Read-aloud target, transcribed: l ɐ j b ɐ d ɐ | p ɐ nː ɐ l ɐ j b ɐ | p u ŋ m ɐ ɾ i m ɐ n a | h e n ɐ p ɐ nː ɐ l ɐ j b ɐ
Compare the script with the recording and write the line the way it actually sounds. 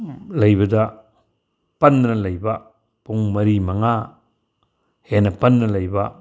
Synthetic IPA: l ɐ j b ɐ d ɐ | p ɐ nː ɐ l ɐ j b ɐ | p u ŋ m ɐ ɾ i m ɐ ŋ a | h e n ɐ p ɐ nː ɐ l ɐ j b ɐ